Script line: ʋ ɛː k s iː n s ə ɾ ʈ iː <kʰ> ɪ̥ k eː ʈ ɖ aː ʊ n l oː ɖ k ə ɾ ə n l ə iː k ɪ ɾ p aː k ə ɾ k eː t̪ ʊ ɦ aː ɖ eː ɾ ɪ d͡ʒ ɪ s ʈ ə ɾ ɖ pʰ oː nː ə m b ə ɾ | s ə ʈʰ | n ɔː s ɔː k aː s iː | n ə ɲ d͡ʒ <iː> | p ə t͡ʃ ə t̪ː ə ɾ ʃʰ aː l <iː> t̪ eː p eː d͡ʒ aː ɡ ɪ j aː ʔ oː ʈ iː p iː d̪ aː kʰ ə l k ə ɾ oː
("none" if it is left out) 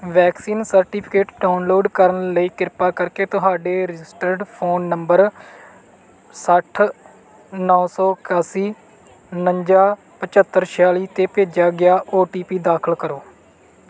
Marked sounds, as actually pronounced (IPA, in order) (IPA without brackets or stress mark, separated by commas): pʰ, aː, iː